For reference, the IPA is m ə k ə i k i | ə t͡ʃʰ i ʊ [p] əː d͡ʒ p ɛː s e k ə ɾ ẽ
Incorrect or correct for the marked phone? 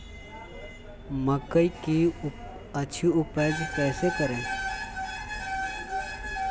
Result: correct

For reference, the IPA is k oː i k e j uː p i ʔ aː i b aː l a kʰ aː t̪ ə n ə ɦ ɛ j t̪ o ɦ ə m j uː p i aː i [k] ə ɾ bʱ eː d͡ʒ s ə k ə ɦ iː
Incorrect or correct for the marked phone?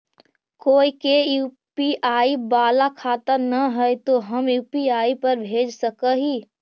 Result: incorrect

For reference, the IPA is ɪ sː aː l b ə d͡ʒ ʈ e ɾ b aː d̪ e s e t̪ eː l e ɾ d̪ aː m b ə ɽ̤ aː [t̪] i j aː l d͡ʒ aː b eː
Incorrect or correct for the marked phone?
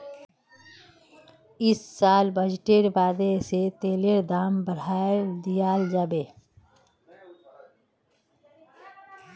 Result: incorrect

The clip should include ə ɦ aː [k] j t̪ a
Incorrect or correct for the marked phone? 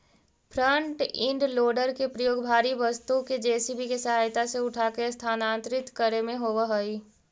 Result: incorrect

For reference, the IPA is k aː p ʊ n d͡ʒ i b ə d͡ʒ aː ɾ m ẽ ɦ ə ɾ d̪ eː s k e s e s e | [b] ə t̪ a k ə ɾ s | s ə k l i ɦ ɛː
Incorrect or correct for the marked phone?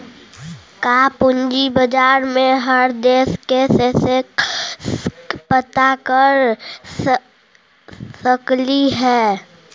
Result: incorrect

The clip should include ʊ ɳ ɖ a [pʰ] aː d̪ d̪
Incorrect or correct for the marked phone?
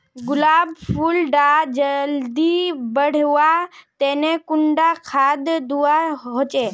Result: incorrect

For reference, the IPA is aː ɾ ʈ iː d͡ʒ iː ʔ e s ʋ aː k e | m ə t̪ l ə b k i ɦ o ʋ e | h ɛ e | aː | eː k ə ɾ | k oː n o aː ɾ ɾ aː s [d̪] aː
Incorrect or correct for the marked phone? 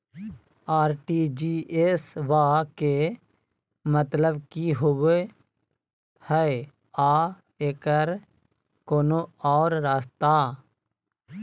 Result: incorrect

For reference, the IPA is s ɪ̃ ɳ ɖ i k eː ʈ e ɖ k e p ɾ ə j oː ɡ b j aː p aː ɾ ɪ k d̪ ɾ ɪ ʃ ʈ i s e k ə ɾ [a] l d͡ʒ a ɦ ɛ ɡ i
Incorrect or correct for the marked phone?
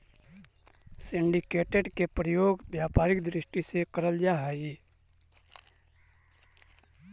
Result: incorrect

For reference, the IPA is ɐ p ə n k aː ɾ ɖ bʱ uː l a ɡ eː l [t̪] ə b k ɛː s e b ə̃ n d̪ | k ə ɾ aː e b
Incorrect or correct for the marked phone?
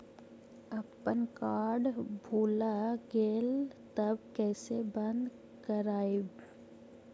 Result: correct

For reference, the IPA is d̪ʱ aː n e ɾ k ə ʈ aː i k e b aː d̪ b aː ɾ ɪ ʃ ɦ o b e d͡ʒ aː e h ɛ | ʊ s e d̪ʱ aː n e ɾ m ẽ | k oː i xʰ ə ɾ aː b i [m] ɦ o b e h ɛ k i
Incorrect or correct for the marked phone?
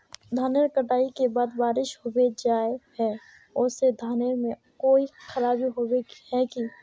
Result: incorrect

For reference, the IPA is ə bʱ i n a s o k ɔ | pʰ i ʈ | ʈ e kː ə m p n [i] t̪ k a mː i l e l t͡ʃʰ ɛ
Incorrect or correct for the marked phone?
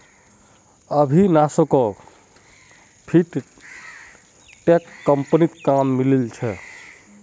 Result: correct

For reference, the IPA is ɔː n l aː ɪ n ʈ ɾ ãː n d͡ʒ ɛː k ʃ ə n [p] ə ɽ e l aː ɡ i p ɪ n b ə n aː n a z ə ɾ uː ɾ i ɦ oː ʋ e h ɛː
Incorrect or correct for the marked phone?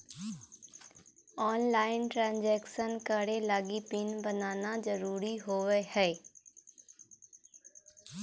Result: incorrect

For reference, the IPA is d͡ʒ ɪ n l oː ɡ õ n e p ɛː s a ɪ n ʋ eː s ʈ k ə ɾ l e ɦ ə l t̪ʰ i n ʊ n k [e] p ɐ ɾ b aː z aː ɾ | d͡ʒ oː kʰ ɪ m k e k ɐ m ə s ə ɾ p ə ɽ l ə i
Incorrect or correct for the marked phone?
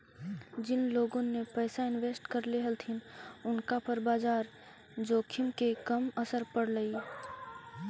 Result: incorrect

